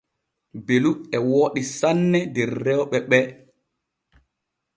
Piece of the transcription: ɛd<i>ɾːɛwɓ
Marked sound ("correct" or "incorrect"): incorrect